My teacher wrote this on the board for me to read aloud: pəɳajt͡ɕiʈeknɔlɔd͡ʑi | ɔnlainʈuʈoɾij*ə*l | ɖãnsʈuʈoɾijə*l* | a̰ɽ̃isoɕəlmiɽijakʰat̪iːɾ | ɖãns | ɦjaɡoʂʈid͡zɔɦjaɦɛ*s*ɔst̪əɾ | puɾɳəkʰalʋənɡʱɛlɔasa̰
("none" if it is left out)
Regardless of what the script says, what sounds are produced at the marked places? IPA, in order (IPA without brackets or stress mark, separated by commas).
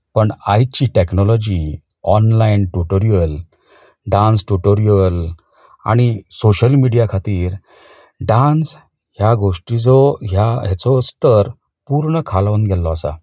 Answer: ə, l, t͡s